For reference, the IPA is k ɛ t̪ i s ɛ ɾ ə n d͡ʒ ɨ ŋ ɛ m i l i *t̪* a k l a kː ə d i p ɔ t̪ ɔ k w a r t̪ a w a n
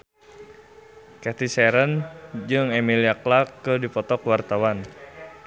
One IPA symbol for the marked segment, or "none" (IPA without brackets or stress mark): none